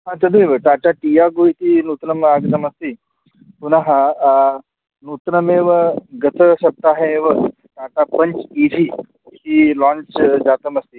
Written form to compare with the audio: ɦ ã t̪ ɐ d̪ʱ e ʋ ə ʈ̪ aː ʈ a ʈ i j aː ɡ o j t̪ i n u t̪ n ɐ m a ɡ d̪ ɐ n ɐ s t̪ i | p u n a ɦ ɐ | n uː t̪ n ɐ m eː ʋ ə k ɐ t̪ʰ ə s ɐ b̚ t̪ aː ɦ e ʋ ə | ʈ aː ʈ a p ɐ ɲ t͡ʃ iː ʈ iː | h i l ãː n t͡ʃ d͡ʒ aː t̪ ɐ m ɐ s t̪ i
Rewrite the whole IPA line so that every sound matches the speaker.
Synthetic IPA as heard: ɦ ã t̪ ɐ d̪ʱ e ʋ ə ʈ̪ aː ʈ a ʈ i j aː ɡ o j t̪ i n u t̪ n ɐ m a ɡ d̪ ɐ m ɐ s t̪ i | p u n a ɦ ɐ | n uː t̪ n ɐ m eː ʋ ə ɡ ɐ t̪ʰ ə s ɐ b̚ t̪ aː ɦ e ʋ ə | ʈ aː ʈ a p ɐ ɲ t͡ʃ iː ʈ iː | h i l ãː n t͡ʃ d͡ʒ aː t̪ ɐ m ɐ s t̪ i